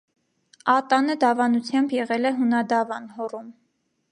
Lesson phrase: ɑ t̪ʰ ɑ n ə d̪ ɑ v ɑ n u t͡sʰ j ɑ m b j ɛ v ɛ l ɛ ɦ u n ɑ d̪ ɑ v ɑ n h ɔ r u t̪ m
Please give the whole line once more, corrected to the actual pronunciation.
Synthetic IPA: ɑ t̪ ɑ n ə d̪ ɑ v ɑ n u t͡sʰ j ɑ m b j ɛ ʁ ɛ l ɛ ɦ u n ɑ d̪ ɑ v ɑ n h ɔ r u m